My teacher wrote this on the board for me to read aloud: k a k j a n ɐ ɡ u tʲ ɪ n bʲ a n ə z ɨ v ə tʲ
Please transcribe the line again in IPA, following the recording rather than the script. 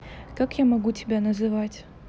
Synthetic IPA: k a k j a m ɐ ɡ u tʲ ɪ bʲ a n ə z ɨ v a tʲ